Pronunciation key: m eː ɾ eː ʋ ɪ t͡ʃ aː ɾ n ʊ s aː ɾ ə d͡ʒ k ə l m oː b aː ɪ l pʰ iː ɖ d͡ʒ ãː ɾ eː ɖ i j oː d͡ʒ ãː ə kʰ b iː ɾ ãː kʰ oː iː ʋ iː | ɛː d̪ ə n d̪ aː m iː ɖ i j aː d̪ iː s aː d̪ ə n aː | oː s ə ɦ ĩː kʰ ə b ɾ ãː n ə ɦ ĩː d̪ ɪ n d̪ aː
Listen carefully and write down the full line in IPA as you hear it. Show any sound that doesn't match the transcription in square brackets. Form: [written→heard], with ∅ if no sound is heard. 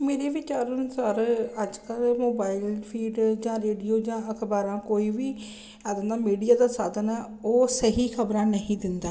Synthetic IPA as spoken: m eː ɾ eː ʋ ɪ t͡ʃ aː ɾ n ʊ s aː ɾ ə d͡ʒ k ə l m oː b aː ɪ l pʰ iː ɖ d͡ʒ ãː ɾ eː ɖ i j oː d͡ʒ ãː ə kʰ b [iː→aː] ɾ ãː [kʰ→k] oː iː ʋ iː | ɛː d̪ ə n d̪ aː m iː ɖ i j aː d̪ [iː→aː] s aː d̪ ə n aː | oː s ə ɦ [ĩː→iː] kʰ ə b ɾ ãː n ə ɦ ĩː d̪ ɪ n d̪ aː